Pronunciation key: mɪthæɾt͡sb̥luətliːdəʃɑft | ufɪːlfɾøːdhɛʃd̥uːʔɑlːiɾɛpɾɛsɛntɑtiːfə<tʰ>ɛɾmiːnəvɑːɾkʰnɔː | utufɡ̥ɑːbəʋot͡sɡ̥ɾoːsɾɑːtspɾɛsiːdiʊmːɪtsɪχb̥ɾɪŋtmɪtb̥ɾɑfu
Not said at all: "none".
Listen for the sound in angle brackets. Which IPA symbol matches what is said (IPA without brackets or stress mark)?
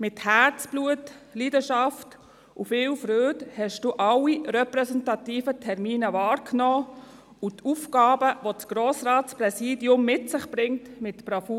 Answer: tʰ